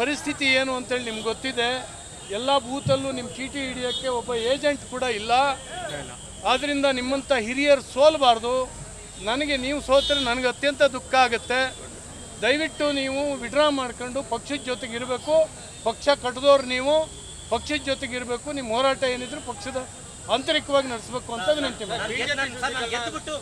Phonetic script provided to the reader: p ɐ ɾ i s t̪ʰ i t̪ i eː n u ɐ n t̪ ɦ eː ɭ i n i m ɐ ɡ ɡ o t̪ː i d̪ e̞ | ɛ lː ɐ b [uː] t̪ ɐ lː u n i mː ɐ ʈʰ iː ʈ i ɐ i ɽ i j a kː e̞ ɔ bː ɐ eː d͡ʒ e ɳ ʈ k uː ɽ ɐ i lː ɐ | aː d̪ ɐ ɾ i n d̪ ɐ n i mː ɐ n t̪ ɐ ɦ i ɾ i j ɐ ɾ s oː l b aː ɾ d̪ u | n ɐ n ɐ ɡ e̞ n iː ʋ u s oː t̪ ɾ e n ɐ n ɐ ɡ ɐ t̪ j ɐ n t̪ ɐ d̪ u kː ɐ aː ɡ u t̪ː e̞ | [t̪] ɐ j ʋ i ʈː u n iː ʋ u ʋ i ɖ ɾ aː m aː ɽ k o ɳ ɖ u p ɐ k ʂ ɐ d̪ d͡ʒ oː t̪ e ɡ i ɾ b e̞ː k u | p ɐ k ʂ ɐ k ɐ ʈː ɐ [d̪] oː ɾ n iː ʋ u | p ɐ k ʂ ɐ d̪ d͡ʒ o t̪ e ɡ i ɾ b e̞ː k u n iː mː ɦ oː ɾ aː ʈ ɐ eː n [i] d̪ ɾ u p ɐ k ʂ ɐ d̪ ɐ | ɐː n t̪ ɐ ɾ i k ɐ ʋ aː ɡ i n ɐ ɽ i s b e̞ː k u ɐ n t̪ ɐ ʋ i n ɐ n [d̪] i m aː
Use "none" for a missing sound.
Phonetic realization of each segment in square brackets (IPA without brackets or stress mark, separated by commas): uː, d̪, d̪, i, t̪